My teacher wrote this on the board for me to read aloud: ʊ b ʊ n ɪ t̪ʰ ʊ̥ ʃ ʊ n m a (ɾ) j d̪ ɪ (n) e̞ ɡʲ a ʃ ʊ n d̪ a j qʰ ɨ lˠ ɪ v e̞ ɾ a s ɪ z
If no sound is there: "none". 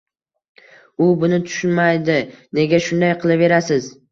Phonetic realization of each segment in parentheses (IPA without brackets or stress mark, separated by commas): none, n